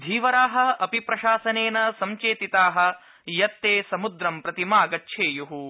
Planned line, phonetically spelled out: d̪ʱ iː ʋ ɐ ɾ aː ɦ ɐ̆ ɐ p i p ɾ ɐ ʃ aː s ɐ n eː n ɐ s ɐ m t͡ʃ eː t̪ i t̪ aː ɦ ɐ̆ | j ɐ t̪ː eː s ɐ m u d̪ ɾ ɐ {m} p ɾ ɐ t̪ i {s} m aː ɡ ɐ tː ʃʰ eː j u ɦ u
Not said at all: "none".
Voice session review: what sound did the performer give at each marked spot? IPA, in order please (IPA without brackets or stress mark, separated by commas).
m, none